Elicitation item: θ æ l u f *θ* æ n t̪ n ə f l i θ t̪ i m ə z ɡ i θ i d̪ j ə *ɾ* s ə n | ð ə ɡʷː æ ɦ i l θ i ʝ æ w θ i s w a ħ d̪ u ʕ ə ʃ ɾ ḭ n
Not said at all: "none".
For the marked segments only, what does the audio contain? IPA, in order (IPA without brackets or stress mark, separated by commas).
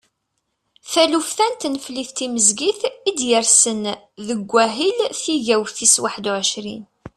θ, ɾ